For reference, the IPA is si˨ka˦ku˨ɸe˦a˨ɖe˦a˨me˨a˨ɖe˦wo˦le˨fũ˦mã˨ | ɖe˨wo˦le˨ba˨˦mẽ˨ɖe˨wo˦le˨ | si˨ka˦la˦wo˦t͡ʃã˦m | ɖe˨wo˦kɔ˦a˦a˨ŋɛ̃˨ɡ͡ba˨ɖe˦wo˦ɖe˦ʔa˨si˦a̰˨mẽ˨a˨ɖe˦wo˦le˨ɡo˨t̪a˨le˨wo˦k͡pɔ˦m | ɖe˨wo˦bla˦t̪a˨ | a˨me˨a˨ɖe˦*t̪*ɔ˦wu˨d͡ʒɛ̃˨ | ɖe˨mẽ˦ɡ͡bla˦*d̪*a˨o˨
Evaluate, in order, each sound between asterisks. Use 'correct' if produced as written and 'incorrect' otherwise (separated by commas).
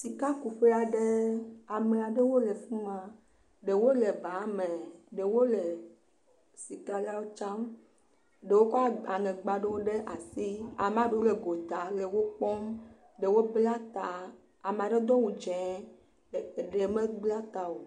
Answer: incorrect, incorrect